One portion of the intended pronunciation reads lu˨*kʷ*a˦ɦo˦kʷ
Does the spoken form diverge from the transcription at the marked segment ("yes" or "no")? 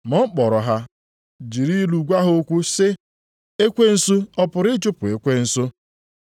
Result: yes